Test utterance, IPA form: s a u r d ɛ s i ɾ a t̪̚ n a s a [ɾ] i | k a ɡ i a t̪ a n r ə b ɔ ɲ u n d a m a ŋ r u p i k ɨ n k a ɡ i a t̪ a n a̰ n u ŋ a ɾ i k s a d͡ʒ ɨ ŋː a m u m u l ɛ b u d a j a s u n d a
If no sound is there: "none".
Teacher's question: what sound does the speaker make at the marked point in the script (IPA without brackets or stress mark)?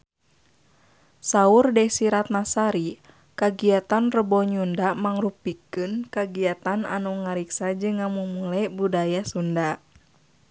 ɾ